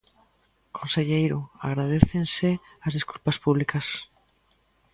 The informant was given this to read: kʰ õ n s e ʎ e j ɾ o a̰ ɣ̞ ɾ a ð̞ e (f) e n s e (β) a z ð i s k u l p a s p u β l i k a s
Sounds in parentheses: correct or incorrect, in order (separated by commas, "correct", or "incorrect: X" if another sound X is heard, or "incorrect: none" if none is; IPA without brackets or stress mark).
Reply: incorrect: θ, incorrect: none